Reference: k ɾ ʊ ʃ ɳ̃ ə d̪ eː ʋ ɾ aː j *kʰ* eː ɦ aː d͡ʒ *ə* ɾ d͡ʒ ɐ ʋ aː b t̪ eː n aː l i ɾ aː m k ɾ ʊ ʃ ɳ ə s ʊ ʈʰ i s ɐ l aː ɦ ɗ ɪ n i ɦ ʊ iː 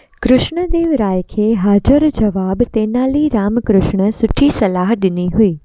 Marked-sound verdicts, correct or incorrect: correct, correct

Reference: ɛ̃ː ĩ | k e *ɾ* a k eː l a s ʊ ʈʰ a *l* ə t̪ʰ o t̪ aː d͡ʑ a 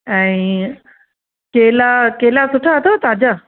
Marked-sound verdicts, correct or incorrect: incorrect: l, incorrect: none

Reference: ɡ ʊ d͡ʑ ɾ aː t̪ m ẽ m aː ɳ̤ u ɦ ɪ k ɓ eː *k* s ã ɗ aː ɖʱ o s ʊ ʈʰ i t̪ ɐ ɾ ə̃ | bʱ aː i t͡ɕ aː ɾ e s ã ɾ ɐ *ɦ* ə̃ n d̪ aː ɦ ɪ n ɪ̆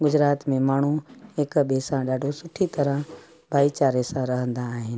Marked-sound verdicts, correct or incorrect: incorrect: none, correct

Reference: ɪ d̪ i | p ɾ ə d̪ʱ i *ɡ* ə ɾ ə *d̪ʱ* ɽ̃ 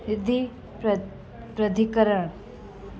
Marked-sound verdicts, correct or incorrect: incorrect: k, incorrect: none

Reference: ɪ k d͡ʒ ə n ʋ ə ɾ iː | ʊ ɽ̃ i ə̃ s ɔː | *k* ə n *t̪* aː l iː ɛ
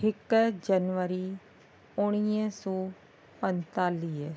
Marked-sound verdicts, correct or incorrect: incorrect: p, correct

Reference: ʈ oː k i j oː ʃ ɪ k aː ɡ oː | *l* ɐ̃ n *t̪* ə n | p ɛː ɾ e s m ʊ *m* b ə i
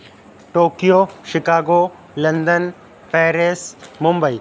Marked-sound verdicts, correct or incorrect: correct, incorrect: d̪, correct

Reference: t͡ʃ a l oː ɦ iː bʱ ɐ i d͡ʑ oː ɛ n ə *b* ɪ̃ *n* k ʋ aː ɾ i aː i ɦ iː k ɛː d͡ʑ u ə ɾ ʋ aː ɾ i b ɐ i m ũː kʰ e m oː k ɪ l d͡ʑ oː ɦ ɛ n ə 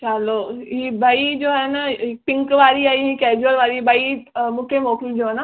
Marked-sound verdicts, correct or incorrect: incorrect: p, incorrect: ŋ

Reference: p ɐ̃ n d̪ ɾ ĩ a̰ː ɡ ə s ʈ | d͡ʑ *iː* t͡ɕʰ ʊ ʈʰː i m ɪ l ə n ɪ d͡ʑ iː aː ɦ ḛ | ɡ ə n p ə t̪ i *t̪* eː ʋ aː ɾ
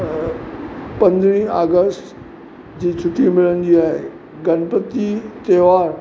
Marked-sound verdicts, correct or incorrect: correct, correct

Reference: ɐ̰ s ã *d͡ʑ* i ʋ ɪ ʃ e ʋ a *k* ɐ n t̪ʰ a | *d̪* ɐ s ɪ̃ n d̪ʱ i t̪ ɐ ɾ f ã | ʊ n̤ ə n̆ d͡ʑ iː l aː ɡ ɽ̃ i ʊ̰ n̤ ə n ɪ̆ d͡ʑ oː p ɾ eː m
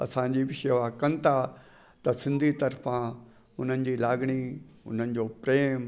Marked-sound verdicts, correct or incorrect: correct, correct, incorrect: t̪

